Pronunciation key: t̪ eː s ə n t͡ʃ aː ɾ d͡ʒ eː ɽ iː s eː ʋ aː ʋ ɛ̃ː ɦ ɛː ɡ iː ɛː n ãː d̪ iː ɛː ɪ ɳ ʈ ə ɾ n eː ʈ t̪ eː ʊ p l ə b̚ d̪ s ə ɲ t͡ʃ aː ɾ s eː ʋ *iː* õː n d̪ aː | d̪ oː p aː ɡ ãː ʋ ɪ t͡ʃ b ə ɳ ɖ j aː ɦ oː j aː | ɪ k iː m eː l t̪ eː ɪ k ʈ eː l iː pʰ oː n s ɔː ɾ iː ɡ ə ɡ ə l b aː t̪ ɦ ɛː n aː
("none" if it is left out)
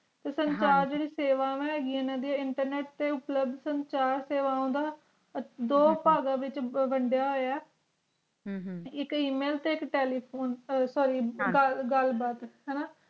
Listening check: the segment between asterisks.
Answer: aː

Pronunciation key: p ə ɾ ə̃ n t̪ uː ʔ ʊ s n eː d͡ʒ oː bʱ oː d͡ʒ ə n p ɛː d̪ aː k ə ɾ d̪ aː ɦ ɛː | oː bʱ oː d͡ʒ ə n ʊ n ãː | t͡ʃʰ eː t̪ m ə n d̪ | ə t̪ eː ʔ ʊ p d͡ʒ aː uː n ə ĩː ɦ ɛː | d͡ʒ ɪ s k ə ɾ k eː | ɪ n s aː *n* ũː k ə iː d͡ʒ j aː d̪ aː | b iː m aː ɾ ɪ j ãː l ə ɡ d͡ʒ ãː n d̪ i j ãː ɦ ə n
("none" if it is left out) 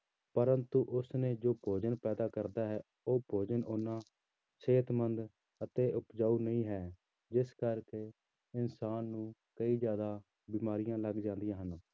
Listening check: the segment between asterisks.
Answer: nː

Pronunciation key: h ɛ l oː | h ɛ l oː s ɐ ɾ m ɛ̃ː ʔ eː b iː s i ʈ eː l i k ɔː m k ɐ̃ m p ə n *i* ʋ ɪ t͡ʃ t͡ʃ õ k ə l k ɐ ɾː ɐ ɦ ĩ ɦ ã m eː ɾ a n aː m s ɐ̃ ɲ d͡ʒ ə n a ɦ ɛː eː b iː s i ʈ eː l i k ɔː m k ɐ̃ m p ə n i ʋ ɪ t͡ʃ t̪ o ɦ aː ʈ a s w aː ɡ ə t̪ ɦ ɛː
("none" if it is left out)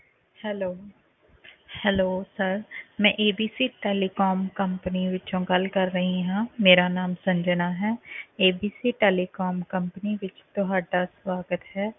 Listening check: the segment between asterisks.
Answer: i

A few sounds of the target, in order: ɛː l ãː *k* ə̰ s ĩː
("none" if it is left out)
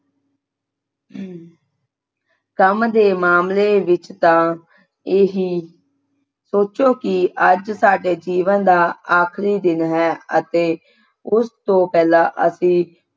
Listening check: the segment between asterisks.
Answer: ʔ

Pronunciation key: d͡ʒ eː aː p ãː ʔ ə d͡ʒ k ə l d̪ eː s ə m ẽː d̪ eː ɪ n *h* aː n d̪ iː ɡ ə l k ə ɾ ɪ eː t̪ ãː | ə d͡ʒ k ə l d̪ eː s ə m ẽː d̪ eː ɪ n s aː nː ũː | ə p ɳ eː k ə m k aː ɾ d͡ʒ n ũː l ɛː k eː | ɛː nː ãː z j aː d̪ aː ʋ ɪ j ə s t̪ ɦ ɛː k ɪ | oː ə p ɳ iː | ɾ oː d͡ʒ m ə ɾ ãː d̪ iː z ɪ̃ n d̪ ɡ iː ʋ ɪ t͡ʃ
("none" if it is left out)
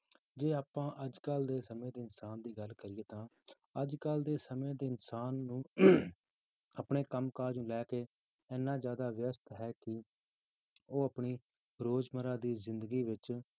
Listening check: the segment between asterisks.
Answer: s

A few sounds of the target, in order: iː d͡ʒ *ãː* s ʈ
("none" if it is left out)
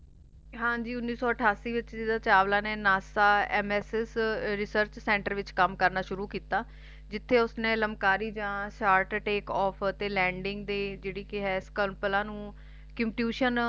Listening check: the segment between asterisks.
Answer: ãː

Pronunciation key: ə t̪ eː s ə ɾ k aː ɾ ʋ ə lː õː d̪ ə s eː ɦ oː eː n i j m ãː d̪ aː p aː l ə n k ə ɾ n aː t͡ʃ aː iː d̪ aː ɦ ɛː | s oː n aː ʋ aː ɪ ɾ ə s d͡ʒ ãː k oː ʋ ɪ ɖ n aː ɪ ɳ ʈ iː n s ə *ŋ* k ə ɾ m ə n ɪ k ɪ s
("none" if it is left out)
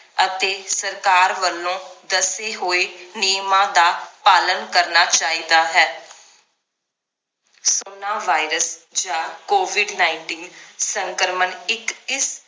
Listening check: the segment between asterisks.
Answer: ŋ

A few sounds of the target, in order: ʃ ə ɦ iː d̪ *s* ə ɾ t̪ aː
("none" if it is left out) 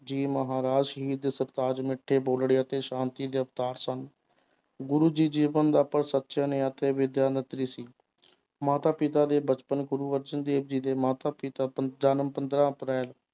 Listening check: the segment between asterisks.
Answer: s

